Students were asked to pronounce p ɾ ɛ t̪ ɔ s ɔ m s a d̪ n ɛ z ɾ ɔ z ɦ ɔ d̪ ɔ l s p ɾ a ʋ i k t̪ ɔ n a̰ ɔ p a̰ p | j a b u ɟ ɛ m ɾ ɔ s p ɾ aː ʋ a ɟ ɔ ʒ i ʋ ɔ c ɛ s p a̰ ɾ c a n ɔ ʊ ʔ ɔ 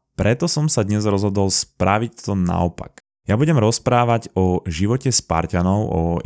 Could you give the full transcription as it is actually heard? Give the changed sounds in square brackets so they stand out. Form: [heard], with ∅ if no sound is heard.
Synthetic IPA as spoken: p ɾ ɛ t̪ ɔ s ɔ m s a d̪ [ɲ] ɛ z ɾ ɔ z ɦ ɔ d̪ ɔ l s p ɾ a ʋ i [c] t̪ ɔ n a̰ ɔ p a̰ [k] | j a b u ɟ ɛ m ɾ ɔ s p ɾ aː ʋ a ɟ ɔ ʒ i ʋ ɔ c ɛ s p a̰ ɾ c a n ɔ ʊ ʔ ɔ